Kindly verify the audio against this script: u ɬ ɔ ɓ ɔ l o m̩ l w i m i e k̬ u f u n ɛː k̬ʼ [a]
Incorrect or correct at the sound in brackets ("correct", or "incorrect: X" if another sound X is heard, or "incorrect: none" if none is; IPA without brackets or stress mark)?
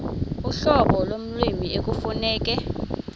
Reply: incorrect: ɛ